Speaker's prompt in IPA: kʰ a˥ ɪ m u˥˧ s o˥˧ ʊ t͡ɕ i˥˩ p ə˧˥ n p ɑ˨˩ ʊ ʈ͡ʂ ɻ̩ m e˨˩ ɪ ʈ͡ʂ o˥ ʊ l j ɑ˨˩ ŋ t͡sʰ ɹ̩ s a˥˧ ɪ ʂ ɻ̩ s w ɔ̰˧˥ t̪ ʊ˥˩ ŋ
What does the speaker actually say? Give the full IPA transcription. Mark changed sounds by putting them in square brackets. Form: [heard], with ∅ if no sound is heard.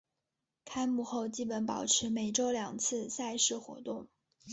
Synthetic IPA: kʰ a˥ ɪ m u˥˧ [x] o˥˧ ʊ t͡ɕ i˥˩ p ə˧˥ n p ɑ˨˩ ʊ [ʈ͡ʂʰ] ɻ̩ m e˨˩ ɪ ʈ͡ʂ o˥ ʊ l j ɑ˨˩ ŋ t͡sʰ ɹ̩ s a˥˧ ɪ ʂ ɻ̩ [x] w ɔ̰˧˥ t̪ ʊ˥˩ ŋ